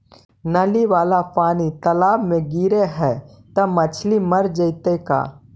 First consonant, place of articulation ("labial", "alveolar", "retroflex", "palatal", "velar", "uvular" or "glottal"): alveolar